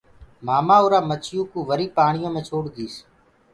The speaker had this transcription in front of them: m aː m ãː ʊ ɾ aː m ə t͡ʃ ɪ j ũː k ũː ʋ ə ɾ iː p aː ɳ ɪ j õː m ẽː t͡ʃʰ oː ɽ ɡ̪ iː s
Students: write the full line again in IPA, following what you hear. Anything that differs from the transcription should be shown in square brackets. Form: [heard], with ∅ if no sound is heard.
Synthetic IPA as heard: m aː m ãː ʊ ɾ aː m ə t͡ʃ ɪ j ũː k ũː ʋ ə ɾ iː p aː ɳ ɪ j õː m ẽː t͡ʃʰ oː ɽ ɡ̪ iː s